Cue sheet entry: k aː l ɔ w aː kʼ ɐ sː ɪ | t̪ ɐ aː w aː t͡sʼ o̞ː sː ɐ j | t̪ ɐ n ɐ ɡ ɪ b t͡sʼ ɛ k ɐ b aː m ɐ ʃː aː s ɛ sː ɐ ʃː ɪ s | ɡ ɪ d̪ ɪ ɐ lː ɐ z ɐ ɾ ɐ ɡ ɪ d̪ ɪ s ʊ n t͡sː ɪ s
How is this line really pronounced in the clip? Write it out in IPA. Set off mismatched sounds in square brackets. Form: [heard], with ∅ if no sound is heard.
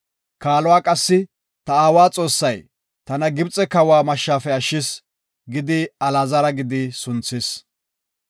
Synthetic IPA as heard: k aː l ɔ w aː kʼ ɐ sː ɪ | t̪ ɐ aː w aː t͡sʼ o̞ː sː ɐ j | t̪ ɐ n ɐ ɡ ɪ b t͡sʼ ɛ k ɐ [w] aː m ɐ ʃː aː [f] ɛ [∅] ɐ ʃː ɪ s | ɡ ɪ d̪ ɪ ɐ [l] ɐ z ɐ ɾ ɐ ɡ ɪ d̪ ɪ s ʊ n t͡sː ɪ s